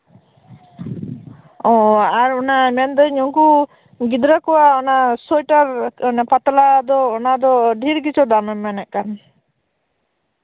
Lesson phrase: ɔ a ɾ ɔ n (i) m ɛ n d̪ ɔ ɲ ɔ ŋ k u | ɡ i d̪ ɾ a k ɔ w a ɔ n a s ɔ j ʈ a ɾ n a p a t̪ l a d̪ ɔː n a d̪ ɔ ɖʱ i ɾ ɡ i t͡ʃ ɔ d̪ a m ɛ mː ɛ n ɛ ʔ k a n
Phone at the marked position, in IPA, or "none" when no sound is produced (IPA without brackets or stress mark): a